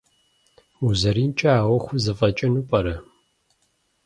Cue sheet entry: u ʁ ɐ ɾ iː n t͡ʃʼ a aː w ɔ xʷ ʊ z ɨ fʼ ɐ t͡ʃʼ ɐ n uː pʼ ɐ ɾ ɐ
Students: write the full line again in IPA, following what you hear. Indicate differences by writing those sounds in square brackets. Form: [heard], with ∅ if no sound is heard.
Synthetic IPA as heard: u [z] ɐ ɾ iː n t͡ʃʼ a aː w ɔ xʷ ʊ z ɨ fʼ ɐ t͡ʃʼ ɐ n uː pʼ ɐ ɾ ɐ